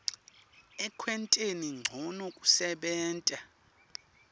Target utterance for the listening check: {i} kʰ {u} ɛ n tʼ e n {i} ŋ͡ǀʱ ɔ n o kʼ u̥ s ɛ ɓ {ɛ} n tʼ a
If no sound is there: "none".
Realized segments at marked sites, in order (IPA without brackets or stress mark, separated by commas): ɛ, w, i, ɛː